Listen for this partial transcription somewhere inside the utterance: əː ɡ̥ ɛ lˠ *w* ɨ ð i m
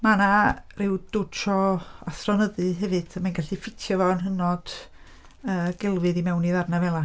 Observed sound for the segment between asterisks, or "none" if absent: v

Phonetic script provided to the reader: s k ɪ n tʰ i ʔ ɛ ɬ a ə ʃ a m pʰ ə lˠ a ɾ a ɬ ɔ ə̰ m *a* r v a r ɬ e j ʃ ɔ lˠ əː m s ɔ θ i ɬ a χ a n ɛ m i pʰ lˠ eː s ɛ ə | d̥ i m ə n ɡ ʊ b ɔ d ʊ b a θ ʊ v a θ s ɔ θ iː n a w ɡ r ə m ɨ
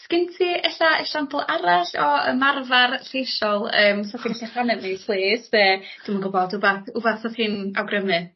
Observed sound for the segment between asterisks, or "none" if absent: a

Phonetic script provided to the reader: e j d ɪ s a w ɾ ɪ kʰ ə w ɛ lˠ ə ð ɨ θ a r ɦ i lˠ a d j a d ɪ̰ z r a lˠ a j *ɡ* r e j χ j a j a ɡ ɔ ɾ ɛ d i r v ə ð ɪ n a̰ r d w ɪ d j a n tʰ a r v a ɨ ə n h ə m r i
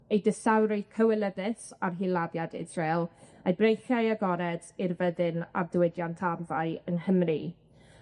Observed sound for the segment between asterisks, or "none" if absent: b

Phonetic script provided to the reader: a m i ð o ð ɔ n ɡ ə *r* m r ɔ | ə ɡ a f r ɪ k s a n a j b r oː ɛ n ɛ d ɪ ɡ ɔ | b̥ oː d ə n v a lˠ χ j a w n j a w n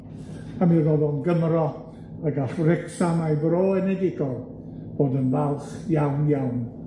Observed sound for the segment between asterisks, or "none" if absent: none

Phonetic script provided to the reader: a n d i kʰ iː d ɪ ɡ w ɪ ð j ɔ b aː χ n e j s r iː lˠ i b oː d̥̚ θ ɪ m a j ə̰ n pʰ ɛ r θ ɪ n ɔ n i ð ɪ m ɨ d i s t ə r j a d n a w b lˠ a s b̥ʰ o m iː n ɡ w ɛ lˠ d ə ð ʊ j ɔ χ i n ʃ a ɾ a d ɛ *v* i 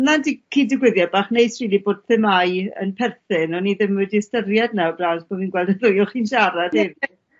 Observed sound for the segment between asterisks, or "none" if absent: v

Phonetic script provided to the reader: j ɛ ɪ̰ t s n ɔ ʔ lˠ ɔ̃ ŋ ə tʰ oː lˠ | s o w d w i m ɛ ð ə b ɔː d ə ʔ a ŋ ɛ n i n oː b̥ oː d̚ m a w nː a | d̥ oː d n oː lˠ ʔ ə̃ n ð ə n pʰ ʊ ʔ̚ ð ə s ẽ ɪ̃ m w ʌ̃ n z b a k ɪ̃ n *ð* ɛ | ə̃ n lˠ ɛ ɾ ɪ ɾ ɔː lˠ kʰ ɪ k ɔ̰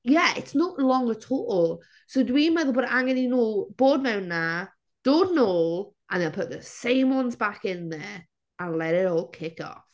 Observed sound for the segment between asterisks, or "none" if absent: ð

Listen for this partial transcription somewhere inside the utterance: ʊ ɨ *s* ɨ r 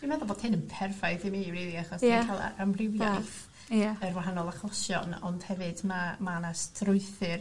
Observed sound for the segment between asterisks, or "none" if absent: θ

